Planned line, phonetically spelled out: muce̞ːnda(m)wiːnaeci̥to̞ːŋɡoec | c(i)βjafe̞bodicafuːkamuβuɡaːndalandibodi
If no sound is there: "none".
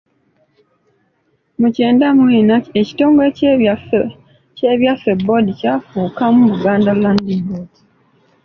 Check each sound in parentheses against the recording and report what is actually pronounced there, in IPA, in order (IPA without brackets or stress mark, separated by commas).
m, e